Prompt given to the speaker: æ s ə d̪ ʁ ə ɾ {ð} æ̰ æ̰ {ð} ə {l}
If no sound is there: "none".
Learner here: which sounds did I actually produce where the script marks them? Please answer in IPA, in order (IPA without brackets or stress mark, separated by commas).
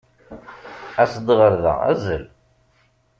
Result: ð, z, l